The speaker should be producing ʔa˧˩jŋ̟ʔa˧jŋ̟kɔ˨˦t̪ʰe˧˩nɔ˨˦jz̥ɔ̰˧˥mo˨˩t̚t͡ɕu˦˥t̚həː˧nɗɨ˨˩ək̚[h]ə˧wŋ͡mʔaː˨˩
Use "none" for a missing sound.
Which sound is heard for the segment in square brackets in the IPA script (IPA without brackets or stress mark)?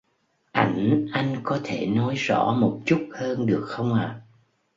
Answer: x